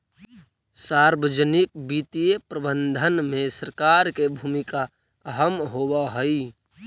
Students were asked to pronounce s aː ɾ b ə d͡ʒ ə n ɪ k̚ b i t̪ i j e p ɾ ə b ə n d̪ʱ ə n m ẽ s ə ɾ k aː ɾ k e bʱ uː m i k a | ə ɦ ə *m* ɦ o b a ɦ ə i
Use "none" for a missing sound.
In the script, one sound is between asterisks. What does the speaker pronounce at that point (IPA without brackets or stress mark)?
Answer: m